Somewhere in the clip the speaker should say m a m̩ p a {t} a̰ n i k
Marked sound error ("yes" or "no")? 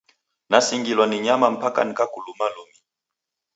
yes